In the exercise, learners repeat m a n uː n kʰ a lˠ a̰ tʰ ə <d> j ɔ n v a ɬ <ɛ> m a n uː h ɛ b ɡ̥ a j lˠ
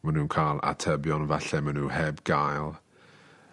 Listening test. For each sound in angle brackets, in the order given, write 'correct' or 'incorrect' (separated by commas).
incorrect, correct